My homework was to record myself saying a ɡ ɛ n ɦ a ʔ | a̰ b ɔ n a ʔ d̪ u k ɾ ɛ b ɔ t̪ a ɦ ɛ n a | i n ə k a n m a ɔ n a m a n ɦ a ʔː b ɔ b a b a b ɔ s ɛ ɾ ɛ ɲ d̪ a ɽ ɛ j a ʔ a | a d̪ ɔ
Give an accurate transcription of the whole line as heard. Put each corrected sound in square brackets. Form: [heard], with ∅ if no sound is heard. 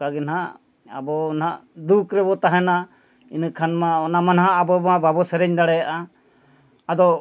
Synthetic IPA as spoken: a ɡ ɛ n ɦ a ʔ | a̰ b ɔ n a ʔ d̪ u k ɾ ɛ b ɔ t̪ a ɦ ɛ n a | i n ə [kʰ] a n m a ɔ n a m a n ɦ a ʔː b ɔ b a b a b ɔ s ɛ ɾ ɛ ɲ d̪ a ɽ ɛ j a ʔ a | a d̪ ɔ

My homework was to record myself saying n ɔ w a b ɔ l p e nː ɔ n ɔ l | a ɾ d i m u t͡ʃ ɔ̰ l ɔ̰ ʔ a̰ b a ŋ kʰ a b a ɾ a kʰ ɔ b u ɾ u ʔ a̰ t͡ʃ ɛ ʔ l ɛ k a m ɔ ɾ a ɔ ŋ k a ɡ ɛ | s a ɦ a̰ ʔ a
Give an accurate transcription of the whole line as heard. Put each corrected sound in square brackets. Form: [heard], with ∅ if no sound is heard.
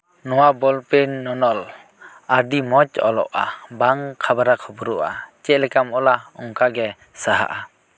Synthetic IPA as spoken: n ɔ w a b ɔ l p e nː ɔ n ɔ l | a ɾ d i m [ɔ] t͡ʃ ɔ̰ l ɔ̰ ʔ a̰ b a ŋ kʰ a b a ɾ a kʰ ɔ b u ɾ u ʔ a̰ t͡ʃ ɛ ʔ l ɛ k a m ɔ [l] a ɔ ŋ k a ɡ ɛ | s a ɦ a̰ ʔ a

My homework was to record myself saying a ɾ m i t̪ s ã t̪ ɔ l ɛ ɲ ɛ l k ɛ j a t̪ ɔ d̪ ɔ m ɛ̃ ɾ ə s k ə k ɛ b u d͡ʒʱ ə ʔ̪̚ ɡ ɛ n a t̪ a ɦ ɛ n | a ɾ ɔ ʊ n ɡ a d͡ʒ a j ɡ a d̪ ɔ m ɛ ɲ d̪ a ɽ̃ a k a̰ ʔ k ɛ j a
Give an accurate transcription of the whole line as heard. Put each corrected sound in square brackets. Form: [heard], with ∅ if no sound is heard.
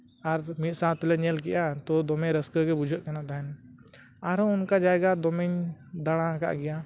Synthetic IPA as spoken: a ɾ m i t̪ s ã t̪ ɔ l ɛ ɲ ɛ l k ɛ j a t̪ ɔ d̪ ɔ m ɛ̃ ɾ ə s k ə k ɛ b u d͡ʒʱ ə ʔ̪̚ [k] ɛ n a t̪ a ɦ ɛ n | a ɾ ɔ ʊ n [k] a d͡ʒ a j ɡ a d̪ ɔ m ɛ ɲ d̪ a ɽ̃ a k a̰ ʔ [ɡ] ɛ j a

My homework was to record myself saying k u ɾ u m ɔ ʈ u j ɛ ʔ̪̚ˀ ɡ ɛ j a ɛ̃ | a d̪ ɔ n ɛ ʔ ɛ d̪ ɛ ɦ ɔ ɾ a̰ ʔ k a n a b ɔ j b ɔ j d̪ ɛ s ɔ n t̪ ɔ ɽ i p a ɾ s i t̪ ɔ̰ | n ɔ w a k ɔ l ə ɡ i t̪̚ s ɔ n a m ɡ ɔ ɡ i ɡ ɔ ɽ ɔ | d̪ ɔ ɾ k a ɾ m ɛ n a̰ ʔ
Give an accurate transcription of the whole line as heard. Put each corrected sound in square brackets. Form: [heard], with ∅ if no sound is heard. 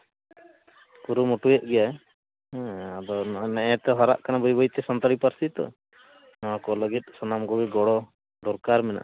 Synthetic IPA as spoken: k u ɾ u m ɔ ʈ u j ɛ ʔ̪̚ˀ ɡ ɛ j a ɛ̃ | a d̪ ɔ n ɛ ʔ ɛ [t̪] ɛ ɦ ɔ ɾ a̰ ʔ k a n a b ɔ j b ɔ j [t̪] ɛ s ɔ n t̪ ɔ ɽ i p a ɾ s i t̪ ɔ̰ | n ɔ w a k ɔ l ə ɡ i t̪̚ s ɔ n a m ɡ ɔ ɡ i ɡ ɔ ɽ ɔ | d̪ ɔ ɾ k a ɾ m ɛ n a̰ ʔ

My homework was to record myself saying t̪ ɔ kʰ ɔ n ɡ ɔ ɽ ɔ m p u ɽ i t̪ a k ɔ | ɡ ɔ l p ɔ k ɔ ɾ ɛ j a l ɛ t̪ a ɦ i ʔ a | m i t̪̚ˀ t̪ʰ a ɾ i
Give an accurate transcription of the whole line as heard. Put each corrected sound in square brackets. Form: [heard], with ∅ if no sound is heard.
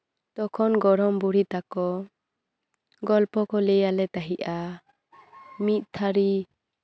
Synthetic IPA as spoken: t̪ ɔ kʰ ɔ n ɡ ɔ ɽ ɔ m [b] u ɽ i t̪ a k ɔ | ɡ ɔ l p ɔ k ɔ [l] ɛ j a l ɛ t̪ a ɦ i ʔ a | m i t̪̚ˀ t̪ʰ a ɾ i

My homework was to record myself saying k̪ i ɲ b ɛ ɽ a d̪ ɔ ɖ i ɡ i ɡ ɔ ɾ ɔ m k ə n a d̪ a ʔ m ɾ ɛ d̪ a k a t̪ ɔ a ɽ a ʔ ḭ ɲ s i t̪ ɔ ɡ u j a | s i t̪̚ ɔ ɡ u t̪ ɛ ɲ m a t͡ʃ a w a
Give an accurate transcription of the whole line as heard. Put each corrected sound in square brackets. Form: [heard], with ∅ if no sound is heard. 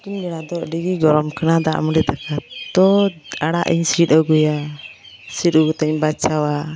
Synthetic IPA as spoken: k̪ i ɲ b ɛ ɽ a d̪ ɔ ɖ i ɡ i ɡ ɔ ɾ ɔ m k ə n a d̪ a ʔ m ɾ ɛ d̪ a k a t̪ ɔ a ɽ a ʔ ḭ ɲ s i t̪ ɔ ɡ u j a | s i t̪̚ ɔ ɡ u t̪ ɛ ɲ [b] a t͡ʃ a w a

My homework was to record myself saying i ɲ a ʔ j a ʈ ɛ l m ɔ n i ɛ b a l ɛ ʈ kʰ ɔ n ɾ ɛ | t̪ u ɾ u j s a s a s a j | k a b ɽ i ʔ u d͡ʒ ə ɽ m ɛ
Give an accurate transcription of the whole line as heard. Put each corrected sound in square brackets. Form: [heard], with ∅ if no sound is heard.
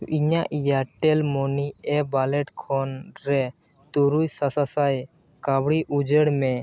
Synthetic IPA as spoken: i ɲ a ʔ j a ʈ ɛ l m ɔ n i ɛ b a l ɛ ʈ kʰ ɔ n ɾ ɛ | t̪ u ɾ u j s a s a s a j | k a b ɽ i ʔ u d͡ʒ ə ɽ m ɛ

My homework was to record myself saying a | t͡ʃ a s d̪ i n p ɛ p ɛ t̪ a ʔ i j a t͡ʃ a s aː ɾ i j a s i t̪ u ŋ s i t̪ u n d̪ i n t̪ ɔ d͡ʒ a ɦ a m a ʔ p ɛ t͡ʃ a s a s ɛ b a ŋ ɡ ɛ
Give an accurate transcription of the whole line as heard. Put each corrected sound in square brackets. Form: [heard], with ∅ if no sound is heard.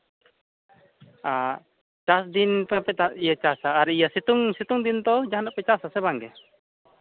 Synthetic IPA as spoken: a | t͡ʃ a s d̪ i n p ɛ p ɛ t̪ a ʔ i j a t͡ʃ a s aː ɾ i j a s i t̪ u ŋ s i t̪ u [ŋ] d̪ i n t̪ ɔ d͡ʒ a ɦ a [n] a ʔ p ɛ t͡ʃ a s a s ɛ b a ŋ ɡ ɛ

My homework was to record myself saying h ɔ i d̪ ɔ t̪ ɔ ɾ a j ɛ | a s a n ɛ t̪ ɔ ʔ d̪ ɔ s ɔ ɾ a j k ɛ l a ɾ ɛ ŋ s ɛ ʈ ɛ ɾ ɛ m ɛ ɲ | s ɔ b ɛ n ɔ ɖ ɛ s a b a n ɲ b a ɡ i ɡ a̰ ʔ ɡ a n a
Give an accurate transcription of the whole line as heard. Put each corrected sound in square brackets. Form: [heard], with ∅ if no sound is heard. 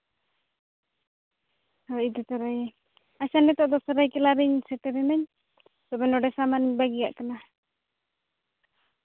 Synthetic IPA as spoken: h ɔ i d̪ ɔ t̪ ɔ ɾ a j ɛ | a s a n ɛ t̪ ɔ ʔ d̪ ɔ s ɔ ɾ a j k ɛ l a ɾ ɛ [ɲ] s ɛ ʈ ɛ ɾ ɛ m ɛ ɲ | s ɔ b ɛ n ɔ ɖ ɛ s a [m] a n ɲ b a ɡ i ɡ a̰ ʔ [k] a n a

